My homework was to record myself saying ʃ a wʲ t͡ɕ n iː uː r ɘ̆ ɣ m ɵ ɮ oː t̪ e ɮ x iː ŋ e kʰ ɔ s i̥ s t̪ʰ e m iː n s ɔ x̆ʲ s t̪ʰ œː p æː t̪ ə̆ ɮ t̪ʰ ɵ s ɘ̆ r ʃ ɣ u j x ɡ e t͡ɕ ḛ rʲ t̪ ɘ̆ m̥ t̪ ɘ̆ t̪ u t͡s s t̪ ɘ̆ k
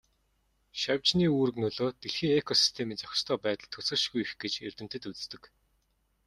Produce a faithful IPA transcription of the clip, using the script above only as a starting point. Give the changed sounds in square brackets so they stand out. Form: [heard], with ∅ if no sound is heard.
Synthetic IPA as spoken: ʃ a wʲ t͡ɕ n iː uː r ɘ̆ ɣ [n] ɵ ɮ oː t̪ e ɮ x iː ŋ e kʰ ɔ s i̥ s t̪ʰ e m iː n [t͡s] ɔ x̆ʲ s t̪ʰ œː p æː t̪ ə̆ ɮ t̪ʰ ɵ s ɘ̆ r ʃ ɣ u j x ɡ e t͡ɕ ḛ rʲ t̪ ɘ̆ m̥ t̪ ɘ̆ t̪ u t͡s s t̪ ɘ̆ k